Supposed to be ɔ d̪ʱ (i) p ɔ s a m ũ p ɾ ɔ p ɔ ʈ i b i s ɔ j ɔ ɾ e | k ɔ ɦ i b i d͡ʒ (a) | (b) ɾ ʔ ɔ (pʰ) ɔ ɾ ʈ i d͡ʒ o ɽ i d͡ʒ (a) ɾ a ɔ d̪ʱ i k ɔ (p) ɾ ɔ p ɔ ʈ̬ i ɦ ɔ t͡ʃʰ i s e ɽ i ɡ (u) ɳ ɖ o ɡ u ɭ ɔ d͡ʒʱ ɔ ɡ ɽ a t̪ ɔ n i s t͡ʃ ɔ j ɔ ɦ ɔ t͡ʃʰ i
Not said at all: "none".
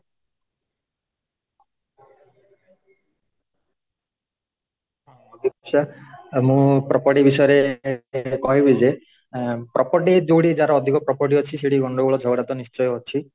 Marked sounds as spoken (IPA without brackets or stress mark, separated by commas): i, e, p, p, a, p, ɔ